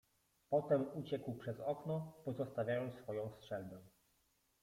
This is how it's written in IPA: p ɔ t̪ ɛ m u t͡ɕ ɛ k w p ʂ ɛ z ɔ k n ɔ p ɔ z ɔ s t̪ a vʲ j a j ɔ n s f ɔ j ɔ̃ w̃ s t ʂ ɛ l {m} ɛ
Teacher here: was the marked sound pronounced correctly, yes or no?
no